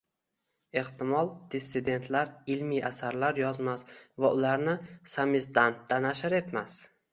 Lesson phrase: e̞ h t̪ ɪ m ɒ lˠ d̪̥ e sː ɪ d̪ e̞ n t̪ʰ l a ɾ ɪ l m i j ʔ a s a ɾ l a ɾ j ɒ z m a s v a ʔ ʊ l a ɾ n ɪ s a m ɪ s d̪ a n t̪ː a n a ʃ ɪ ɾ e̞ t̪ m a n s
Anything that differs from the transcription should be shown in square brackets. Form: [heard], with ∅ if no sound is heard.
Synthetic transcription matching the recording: e̞ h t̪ ɪ m ɒ lˠ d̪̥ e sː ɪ d̪ e̞ n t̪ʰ l a ɾ ɪ l m i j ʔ a s a ɾ l a ɾ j ɒ z m a s v a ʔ ʊ l a ɾ n ɪ s a m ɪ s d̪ a n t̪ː a n a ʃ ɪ ɾ e̞ t̪ m a [∅] s